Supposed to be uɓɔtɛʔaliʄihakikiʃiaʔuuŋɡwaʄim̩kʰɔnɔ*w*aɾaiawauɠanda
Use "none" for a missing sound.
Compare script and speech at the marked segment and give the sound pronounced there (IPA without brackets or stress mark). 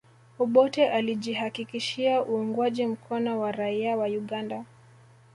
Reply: w